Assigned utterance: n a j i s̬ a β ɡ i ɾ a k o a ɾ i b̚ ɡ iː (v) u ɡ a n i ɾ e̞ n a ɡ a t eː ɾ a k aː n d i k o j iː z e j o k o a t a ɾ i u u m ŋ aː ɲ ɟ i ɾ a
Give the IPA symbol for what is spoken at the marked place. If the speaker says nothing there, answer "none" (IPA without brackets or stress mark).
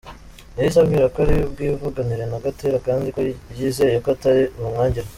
v